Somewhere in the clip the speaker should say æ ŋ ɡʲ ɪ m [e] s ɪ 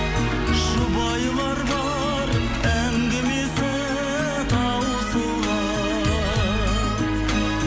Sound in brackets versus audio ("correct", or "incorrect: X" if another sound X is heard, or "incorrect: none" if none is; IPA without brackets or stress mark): correct